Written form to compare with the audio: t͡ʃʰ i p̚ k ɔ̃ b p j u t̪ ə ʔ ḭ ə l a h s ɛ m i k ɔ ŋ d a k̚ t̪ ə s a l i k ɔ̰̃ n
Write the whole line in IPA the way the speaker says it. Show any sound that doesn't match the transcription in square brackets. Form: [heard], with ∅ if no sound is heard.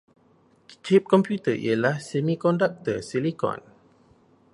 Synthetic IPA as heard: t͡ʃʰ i p̚ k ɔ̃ [m] p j u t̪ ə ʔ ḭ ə l a h s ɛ m i k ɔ [n] d a k̚ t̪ ə s [i] l i k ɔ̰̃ n